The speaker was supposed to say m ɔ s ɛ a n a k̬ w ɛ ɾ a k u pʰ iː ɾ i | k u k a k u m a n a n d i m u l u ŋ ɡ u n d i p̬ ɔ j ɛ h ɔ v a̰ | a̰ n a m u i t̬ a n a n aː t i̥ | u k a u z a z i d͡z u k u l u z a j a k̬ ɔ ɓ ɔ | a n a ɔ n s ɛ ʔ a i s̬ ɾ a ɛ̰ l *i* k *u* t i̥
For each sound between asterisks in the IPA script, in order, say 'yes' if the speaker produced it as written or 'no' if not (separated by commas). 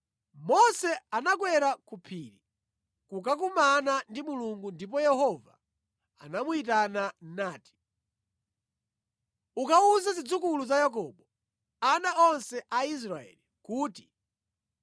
yes, no